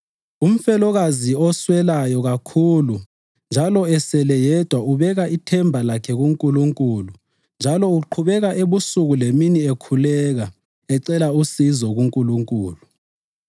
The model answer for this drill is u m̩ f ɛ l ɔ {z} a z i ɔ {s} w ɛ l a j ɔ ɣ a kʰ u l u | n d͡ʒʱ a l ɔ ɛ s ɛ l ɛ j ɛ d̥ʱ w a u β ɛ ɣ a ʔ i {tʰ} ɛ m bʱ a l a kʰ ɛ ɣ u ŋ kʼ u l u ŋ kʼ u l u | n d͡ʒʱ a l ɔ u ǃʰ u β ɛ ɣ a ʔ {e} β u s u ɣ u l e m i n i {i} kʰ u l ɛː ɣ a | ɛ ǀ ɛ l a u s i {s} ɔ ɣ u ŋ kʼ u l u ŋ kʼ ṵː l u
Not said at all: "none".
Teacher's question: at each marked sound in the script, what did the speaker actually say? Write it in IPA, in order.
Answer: ɣ, s, tʰ, e, e, z

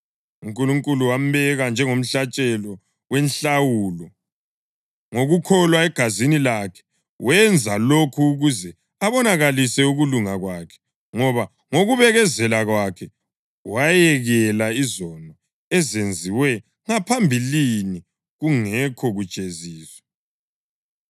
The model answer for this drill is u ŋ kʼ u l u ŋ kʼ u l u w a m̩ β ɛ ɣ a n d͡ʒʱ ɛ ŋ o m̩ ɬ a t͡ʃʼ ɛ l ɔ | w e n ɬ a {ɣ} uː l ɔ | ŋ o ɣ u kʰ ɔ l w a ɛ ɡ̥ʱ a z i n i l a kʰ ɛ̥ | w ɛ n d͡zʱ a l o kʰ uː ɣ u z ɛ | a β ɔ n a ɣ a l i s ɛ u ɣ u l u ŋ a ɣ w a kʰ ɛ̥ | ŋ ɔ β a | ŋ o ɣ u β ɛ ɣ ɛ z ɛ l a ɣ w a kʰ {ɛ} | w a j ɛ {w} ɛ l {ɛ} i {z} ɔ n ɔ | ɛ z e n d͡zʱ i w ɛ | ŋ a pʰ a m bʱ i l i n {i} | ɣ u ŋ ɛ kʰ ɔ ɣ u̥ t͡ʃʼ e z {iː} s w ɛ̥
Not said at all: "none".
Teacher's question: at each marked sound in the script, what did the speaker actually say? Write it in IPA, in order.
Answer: w, ɛ, ɣ, a, z, i, iː

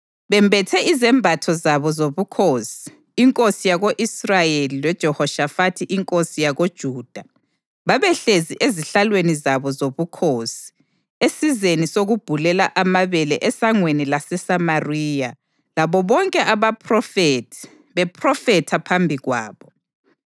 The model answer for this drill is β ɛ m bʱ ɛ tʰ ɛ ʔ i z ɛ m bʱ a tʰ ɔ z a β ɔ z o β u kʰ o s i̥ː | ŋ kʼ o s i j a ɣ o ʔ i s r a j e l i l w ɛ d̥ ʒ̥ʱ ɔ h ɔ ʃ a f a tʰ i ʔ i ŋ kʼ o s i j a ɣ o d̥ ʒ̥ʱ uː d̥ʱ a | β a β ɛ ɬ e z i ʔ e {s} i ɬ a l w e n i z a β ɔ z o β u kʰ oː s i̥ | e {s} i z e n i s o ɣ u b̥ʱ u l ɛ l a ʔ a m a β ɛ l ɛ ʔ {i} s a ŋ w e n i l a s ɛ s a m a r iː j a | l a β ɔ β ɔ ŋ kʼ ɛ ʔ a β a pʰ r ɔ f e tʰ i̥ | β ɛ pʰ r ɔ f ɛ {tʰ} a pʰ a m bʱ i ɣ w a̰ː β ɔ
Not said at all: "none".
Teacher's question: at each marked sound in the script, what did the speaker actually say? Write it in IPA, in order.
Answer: z, s, ɛ, tʰ

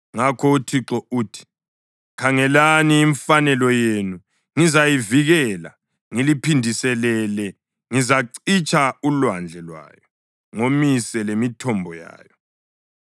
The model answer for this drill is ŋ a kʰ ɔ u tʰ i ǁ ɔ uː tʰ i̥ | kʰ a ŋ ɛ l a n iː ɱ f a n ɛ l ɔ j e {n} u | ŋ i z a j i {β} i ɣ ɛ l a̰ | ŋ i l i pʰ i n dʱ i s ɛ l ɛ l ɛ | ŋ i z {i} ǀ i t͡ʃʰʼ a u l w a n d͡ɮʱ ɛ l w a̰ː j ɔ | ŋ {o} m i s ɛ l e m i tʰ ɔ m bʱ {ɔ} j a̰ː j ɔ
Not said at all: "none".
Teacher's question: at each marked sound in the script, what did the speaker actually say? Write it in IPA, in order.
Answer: n, v, a, o, ɔ

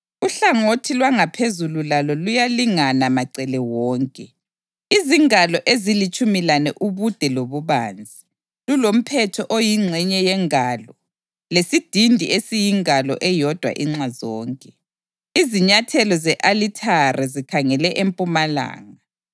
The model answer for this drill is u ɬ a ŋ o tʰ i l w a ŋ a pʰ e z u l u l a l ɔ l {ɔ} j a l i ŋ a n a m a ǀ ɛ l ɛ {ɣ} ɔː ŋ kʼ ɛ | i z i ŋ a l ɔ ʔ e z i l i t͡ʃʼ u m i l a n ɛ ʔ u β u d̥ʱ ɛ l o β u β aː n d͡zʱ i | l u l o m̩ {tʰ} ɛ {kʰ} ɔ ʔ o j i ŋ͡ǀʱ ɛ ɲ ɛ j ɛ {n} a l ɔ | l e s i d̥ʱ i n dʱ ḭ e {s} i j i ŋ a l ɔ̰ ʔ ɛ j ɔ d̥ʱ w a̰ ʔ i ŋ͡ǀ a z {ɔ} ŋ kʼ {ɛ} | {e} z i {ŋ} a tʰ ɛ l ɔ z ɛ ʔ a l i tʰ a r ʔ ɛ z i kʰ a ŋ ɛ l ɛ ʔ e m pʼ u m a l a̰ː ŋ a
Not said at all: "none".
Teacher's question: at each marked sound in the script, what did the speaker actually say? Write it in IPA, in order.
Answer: u, w, pʰ, tʰ, ŋ, s, ɔː, ɛ, i, ɲ

